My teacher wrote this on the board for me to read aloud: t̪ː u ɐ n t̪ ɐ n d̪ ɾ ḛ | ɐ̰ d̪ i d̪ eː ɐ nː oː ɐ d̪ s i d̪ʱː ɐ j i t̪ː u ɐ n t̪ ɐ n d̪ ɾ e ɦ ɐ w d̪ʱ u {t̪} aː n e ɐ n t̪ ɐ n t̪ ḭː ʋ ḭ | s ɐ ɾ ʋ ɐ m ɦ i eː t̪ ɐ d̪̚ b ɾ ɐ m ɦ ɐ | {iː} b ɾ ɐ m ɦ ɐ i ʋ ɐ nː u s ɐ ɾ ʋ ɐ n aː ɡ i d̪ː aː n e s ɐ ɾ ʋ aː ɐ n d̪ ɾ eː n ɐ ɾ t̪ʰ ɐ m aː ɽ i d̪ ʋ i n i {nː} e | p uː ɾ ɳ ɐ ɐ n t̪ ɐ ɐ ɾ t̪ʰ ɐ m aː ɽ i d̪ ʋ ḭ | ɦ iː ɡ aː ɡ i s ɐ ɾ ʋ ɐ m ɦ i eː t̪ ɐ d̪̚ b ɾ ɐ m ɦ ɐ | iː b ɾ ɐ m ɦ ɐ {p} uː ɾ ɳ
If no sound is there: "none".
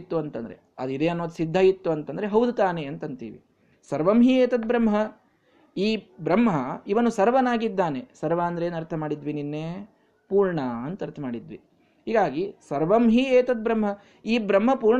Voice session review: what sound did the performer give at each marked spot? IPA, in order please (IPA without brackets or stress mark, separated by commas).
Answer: t̪, iː, nː, p